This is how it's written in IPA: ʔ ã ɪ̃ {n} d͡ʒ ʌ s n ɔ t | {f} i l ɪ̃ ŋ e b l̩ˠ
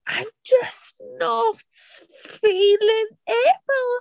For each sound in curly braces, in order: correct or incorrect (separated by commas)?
incorrect, correct